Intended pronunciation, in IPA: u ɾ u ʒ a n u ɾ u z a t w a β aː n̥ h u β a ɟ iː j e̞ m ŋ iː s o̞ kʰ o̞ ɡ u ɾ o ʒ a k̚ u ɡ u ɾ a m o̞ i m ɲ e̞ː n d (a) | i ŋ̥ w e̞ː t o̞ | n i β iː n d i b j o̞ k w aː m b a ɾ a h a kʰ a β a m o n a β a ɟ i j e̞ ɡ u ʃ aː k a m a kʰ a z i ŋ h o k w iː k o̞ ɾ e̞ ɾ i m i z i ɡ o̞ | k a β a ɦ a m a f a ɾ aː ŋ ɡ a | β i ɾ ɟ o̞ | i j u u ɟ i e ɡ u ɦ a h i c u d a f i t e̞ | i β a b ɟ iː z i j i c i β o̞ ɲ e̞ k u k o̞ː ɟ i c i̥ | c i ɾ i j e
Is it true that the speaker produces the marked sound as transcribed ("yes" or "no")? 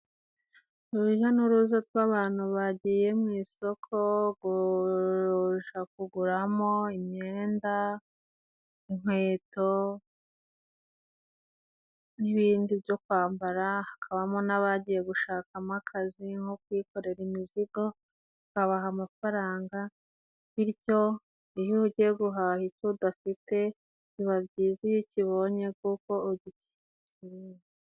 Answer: yes